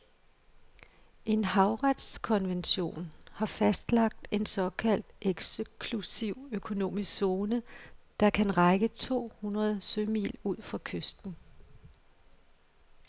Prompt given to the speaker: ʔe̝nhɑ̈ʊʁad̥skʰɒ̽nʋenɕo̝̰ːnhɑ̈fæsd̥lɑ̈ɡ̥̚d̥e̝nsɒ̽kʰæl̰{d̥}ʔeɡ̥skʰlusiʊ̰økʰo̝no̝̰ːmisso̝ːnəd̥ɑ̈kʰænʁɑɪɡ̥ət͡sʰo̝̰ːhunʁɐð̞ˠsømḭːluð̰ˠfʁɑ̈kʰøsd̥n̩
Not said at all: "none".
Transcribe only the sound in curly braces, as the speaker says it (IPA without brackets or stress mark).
d̥